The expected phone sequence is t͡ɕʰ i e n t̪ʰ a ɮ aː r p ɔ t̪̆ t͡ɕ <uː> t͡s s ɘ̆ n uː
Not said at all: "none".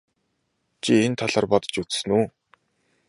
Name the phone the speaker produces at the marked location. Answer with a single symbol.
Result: u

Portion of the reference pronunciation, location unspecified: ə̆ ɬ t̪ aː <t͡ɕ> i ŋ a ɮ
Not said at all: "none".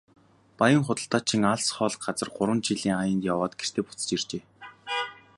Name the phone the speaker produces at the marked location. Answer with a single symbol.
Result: t͡ɕʰ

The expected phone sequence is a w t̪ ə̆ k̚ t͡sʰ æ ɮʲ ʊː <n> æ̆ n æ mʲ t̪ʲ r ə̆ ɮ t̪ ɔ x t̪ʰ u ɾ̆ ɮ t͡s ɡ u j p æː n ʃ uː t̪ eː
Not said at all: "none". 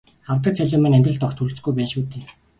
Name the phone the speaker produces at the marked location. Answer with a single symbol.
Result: m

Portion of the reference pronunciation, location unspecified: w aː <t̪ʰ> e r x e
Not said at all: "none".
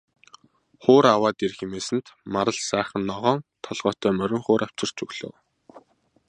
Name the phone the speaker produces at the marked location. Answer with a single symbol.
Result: t̪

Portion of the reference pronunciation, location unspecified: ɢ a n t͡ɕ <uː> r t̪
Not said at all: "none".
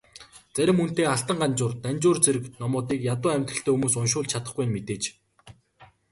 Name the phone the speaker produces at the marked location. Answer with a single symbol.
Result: ʊː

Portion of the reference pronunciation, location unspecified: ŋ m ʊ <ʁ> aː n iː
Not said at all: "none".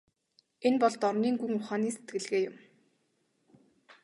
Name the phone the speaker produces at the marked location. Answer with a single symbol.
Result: χ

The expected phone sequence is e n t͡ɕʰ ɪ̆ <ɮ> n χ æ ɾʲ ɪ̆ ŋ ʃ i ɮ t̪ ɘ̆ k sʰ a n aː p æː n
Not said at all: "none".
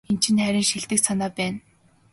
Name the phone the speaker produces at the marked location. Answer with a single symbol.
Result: none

